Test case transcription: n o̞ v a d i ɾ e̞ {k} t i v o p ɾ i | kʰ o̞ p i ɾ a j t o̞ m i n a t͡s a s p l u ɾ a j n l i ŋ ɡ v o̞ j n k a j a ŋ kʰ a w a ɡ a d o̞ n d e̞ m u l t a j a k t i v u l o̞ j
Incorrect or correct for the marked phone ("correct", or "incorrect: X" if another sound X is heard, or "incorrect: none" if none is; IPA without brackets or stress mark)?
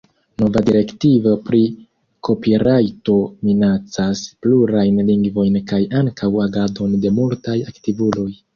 correct